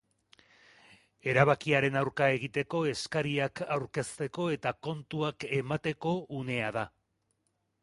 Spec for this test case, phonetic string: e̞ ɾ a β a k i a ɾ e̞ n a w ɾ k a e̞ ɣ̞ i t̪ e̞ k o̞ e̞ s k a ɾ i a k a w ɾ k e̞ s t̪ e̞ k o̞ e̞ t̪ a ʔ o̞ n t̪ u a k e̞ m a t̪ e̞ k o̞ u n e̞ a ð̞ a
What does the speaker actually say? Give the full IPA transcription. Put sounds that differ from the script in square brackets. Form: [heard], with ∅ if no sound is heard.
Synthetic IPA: e̞ ɾ a β a k i a ɾ e̞ n a w ɾ k a e̞ ɣ̞ i t̪ e̞ k o̞ e̞ s k a ɾ i a k a w ɾ k e̞ s t̪ e̞ k o̞ e̞ t̪ a [k] o̞ n t̪ u a k e̞ m a t̪ e̞ k o̞ u n e̞ a ð̞ a